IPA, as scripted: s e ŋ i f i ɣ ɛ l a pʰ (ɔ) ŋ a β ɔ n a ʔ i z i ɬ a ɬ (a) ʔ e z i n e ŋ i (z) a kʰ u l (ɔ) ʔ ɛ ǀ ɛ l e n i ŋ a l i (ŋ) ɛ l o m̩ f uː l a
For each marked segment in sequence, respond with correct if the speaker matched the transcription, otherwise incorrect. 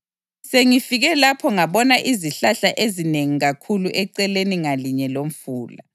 correct, correct, incorrect, incorrect, incorrect

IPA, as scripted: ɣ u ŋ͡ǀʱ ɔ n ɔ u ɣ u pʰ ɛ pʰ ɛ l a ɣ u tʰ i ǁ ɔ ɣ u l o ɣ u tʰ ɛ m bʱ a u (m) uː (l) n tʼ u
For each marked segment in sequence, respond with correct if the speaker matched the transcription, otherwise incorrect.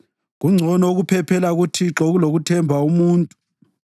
correct, incorrect

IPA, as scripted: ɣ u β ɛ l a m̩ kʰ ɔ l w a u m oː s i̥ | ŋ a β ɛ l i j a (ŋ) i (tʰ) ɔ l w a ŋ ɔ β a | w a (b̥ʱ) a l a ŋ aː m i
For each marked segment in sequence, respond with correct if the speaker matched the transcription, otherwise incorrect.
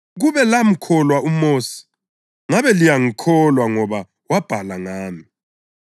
correct, incorrect, correct

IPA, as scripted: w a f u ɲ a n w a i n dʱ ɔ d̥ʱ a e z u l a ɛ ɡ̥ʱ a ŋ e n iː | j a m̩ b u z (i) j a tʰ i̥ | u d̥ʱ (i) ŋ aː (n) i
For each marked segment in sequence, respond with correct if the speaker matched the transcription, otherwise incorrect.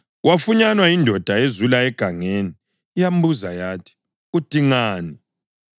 incorrect, correct, correct

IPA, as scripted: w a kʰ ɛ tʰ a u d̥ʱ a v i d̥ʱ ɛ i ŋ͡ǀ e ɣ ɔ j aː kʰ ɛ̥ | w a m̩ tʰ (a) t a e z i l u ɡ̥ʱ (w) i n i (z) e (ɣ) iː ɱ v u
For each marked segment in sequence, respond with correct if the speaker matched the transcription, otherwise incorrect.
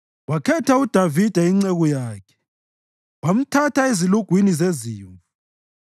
correct, correct, correct, incorrect

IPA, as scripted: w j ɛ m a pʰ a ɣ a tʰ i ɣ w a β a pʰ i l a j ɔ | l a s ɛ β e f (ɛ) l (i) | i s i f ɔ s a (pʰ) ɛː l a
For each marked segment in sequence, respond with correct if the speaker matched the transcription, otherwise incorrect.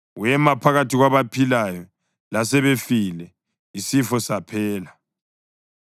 incorrect, incorrect, correct

